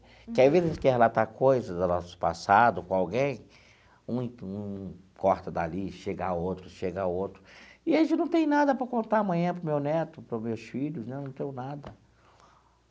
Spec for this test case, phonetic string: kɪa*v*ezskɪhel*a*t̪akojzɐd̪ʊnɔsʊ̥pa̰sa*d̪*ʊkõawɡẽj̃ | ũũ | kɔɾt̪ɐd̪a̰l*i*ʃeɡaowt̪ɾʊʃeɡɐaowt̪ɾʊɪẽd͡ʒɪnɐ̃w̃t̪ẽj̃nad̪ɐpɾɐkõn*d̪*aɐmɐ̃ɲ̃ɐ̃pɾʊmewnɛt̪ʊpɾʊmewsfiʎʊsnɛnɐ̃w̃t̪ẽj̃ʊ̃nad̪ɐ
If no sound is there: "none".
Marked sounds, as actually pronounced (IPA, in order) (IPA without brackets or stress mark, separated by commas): v, a, d̪, i, t̪